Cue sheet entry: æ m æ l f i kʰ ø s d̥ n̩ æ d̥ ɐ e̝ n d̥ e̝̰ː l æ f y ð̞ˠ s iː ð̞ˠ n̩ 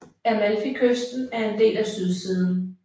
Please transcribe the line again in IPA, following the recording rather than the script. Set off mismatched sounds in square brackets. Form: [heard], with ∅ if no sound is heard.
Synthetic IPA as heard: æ m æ l f i kʰ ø s d̥ n̩ æ [∅] ɐ e̝ n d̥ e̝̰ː l æ [s] y ð̞ˠ s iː ð̞ˠ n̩